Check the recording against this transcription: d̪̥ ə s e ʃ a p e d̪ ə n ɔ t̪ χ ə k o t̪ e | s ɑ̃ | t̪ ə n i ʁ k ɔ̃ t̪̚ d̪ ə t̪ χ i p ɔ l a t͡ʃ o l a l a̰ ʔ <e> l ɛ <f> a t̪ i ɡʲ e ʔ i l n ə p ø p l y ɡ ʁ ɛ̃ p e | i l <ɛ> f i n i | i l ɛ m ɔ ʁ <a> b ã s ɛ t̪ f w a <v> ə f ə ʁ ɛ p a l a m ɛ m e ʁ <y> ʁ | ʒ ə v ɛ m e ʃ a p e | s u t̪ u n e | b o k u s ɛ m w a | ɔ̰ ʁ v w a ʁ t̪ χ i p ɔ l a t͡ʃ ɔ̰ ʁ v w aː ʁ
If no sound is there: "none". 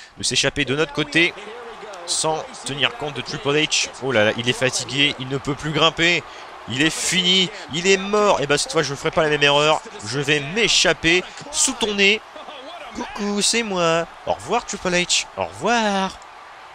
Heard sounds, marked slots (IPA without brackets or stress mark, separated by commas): i, f, ɛ, e, ʒ, œ